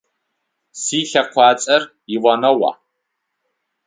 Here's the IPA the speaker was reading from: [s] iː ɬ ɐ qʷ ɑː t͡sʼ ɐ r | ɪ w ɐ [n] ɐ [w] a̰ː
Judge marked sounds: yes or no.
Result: yes, yes, yes

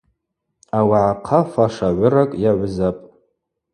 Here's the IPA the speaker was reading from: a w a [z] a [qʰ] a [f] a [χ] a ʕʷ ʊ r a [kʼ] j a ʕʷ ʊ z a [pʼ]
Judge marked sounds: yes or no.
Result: no, yes, yes, no, yes, yes

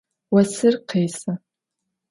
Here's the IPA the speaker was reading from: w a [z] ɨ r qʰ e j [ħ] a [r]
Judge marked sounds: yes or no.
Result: no, no, no

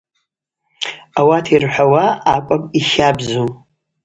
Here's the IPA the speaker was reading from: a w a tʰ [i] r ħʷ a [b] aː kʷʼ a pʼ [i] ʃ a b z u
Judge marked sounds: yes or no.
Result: yes, no, yes

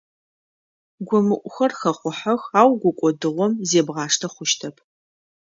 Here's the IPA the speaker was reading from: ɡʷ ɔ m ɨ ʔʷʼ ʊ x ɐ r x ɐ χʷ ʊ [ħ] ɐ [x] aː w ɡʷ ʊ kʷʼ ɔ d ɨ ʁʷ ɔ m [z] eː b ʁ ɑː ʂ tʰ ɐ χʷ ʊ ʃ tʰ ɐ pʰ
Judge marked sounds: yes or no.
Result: yes, yes, yes

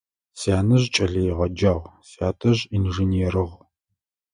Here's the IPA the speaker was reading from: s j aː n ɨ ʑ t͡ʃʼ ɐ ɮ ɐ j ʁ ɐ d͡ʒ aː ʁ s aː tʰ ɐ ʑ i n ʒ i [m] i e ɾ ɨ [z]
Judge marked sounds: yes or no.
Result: no, no

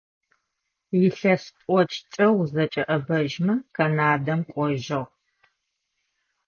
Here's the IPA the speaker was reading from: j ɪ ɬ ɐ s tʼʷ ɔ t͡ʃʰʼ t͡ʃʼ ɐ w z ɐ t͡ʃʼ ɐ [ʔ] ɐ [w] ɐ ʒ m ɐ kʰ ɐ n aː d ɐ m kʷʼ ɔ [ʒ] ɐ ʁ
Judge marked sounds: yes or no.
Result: yes, no, yes

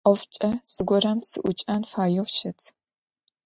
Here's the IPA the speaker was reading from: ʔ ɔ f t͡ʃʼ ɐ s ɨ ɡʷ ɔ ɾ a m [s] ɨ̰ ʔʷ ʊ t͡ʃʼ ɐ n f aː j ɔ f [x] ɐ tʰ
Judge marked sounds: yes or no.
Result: yes, no

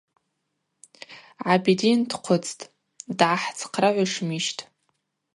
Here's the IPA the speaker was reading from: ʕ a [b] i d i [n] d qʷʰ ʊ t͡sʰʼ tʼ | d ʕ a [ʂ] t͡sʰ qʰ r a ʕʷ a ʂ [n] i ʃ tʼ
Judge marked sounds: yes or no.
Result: yes, yes, no, no

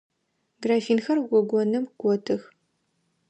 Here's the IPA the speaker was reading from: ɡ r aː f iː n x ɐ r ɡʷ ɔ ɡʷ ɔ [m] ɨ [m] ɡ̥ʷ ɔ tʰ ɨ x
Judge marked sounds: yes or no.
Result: no, yes

